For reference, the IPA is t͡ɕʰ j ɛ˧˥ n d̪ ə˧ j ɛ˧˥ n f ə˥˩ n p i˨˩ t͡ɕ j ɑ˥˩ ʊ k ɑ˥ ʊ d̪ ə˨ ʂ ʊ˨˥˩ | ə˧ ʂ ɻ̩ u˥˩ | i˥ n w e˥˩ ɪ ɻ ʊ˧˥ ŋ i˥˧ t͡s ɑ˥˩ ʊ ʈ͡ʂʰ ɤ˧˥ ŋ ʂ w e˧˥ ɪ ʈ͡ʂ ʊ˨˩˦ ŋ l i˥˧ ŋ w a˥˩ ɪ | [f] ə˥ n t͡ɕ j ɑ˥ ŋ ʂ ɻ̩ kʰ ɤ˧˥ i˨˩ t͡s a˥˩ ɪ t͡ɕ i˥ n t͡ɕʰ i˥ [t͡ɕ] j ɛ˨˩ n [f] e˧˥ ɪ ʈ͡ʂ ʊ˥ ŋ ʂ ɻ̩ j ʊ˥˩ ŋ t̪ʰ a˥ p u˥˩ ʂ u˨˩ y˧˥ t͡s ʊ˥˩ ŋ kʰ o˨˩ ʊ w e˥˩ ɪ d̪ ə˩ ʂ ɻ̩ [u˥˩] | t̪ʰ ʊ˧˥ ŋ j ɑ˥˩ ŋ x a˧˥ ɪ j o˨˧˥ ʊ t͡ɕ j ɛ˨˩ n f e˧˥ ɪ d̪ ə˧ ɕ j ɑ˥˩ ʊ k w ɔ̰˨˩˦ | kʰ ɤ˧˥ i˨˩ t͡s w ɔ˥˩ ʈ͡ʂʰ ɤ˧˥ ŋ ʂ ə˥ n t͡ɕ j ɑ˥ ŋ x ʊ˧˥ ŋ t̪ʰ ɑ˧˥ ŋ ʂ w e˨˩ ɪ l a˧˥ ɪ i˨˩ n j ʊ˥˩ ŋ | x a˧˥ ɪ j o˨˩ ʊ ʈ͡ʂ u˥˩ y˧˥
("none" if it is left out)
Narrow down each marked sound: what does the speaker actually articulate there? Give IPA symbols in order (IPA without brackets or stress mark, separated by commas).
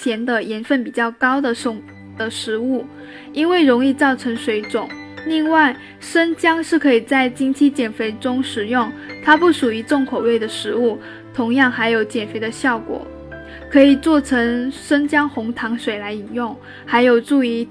ʂ, t͡ɕ, f, u˥˩